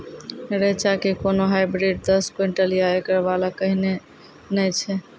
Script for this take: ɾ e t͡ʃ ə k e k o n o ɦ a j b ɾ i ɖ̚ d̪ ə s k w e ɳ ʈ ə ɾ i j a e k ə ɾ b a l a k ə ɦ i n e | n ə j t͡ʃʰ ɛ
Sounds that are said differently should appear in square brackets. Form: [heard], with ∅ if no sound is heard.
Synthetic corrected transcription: ɾ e t͡ʃ [a] k e k o n o ɦ a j b ɾ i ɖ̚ d̪ ə s k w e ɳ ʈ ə [l] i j a e k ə ɾ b a l a k ə ɦ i n e | n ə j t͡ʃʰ ɛ